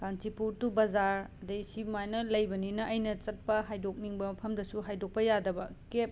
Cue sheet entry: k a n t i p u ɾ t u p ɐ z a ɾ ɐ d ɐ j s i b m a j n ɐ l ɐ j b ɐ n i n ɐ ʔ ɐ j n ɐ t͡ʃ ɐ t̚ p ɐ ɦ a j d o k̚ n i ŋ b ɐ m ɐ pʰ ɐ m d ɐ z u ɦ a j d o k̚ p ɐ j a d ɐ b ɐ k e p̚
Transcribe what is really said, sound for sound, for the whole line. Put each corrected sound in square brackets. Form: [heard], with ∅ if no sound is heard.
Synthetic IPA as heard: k a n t i p u ɾ t u [b] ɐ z a ɾ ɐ d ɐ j s i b m a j n ɐ l ɐ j b ɐ n i n ɐ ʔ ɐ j n ɐ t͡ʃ ɐ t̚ p ɐ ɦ a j d o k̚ n i ŋ b ɐ m ɐ pʰ ɐ m d ɐ [s] u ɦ a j d o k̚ p ɐ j a d ɐ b ɐ k e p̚